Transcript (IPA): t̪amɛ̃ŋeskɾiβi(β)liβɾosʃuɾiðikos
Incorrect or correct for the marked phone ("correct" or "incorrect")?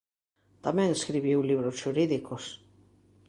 incorrect